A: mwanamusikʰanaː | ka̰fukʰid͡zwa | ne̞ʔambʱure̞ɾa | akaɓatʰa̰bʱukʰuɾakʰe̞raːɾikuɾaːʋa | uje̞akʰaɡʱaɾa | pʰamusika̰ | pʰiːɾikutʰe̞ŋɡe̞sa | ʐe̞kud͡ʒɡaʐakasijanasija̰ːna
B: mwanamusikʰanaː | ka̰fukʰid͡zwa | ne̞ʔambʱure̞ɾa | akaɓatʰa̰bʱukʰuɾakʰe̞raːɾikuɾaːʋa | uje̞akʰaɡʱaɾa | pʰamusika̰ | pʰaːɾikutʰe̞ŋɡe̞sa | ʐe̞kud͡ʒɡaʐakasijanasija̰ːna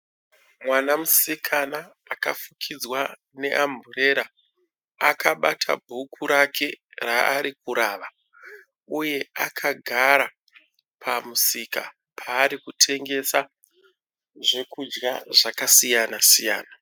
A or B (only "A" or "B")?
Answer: B